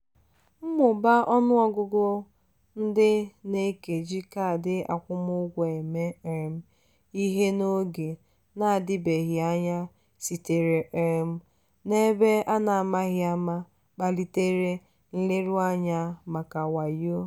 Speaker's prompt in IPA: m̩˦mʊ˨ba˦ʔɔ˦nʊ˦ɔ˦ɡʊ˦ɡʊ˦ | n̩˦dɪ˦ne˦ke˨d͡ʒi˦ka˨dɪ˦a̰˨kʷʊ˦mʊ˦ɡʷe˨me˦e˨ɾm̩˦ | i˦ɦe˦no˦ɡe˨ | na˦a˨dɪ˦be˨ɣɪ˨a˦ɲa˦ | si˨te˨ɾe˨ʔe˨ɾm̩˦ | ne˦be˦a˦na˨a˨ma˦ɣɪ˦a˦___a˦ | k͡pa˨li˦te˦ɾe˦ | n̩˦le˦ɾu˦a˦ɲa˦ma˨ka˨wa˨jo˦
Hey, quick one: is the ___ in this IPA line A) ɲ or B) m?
B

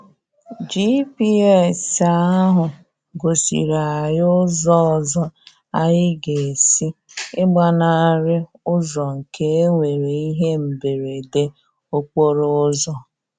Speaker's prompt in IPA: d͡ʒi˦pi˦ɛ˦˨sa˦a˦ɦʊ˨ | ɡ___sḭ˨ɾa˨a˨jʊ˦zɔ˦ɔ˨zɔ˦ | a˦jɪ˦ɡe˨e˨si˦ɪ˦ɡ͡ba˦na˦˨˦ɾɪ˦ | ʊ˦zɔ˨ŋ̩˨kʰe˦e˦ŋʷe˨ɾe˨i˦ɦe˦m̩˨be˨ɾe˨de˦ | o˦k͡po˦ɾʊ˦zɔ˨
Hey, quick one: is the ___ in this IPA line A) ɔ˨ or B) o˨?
B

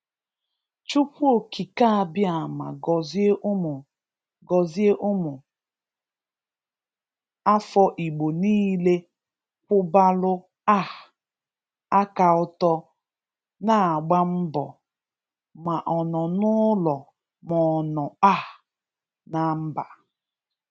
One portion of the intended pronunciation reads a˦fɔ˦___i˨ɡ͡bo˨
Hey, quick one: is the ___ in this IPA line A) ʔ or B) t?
A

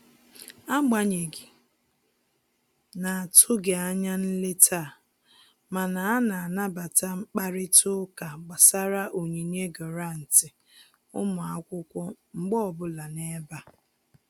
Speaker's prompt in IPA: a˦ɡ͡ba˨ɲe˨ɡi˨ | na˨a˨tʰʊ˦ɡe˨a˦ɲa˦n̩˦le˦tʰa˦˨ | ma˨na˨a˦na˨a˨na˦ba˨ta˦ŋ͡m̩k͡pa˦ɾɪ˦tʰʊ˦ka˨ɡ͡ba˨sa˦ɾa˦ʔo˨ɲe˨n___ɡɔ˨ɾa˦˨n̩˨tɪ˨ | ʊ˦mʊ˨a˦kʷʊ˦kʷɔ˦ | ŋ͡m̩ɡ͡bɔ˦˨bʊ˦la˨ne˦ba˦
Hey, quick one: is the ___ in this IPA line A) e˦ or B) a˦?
A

